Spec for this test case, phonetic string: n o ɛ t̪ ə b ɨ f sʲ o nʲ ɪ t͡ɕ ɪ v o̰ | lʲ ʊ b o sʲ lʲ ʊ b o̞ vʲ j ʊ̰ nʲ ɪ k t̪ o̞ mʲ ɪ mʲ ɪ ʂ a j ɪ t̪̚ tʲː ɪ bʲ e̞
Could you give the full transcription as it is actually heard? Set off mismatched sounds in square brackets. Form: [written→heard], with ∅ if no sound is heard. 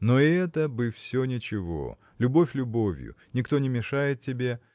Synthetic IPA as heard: n o ɛ t̪ ə b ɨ f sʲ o nʲ ɪ t͡ɕ ɪ v o̰ | lʲ ʊ b o [sʲ→fʲ] lʲ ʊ b o̞ vʲ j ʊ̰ nʲ ɪ k t̪ o̞ [mʲ→nʲ] ɪ mʲ ɪ ʂ a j ɪ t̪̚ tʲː ɪ bʲ e̞